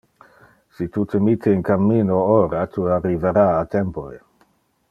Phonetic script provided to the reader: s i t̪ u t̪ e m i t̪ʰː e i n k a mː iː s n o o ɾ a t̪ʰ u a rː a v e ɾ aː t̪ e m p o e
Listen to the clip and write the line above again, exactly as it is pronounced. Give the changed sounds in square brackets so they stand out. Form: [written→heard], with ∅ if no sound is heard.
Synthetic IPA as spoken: s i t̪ u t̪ e m i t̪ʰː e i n k a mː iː [s→∅] n o o ɾ a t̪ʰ u a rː [a→i] v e ɾ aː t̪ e m p o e